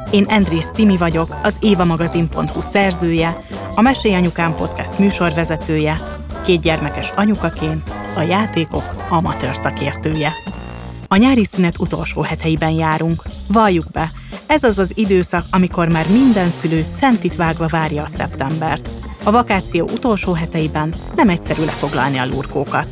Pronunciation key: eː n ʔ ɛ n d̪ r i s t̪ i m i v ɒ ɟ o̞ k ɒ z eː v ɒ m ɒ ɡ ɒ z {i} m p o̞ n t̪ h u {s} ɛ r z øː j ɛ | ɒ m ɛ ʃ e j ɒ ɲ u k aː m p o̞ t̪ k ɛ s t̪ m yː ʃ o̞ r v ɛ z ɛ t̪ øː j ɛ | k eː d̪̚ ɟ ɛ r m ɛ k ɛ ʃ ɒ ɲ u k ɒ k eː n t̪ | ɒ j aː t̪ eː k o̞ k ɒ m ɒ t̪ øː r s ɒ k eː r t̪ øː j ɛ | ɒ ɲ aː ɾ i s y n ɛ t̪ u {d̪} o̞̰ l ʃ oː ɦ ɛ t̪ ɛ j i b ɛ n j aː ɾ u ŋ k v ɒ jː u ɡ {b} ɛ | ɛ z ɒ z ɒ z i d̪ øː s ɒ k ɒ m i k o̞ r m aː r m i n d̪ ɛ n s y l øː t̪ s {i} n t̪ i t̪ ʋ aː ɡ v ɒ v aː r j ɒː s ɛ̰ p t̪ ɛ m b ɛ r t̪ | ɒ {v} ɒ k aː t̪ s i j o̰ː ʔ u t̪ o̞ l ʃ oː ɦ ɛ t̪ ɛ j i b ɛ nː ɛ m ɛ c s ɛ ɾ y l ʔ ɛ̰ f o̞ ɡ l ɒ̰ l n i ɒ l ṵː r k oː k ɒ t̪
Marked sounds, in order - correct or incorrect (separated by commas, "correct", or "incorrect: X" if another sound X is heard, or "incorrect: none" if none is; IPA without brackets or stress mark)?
correct, correct, incorrect: t̪, correct, incorrect: ɛ, correct